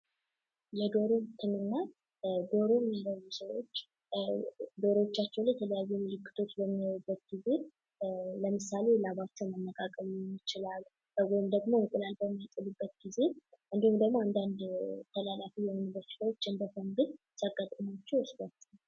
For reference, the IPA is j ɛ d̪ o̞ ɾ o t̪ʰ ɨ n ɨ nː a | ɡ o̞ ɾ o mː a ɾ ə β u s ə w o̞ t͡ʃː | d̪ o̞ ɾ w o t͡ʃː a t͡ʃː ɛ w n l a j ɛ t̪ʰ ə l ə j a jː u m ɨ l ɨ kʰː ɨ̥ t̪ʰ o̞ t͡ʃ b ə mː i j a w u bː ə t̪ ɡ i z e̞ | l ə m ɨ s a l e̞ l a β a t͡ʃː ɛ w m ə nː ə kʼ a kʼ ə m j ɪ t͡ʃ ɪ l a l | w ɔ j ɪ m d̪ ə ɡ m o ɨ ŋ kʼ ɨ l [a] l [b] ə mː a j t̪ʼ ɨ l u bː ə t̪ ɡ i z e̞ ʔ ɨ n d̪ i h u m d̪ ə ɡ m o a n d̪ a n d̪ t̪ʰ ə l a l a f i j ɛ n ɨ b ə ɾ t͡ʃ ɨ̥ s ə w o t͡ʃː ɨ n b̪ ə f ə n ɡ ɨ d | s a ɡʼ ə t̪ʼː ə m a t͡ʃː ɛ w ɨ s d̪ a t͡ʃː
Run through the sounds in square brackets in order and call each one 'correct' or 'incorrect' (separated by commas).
correct, correct